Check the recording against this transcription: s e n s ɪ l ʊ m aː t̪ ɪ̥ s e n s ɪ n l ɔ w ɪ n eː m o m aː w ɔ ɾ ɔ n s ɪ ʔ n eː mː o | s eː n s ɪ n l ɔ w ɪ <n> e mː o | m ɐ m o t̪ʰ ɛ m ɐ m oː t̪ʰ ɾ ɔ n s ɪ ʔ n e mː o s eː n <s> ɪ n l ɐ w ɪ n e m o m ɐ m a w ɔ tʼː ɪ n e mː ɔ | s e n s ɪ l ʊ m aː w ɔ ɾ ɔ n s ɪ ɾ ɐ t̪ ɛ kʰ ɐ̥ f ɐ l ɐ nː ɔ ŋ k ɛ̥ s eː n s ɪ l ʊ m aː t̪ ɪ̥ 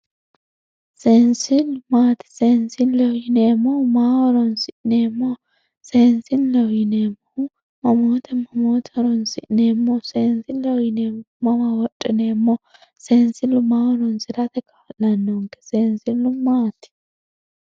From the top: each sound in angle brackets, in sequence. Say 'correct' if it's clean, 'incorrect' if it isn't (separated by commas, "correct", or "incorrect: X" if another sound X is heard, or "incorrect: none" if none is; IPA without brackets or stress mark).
correct, correct